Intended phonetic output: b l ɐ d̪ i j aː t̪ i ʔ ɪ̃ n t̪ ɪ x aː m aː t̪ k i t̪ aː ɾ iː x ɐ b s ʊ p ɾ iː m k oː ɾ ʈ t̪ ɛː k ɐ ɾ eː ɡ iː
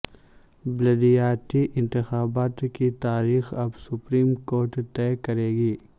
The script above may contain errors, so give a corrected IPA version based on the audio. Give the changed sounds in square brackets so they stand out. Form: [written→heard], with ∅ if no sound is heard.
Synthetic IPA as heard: b l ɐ d̪ i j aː t̪ i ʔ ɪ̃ n t̪ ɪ x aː [m→b] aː t̪ k i t̪ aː ɾ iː x ɐ b s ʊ p ɾ iː m k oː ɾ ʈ t̪ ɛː k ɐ ɾ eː ɡ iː